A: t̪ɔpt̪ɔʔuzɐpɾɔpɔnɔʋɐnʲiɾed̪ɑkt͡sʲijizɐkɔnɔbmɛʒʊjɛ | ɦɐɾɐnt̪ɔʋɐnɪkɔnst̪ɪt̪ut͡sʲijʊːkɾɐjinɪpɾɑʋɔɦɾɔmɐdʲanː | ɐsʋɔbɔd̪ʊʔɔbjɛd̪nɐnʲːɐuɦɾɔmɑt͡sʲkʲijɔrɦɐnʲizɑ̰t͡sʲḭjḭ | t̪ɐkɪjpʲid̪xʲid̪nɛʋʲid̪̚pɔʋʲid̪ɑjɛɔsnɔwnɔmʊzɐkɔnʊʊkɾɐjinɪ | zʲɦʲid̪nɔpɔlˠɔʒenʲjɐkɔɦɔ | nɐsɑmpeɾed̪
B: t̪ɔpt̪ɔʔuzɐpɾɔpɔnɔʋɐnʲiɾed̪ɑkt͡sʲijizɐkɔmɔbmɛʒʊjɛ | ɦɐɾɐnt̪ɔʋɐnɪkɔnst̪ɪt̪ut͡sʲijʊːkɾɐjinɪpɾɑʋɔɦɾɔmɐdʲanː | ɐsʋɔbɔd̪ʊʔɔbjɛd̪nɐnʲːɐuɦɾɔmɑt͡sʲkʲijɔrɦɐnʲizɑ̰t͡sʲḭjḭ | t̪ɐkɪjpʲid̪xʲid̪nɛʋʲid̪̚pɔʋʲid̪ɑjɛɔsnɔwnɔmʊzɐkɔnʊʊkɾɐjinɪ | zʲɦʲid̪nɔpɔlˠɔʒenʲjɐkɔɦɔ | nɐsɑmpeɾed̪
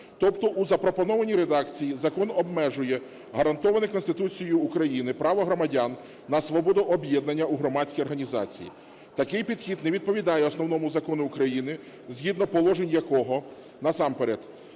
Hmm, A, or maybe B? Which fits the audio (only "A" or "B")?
A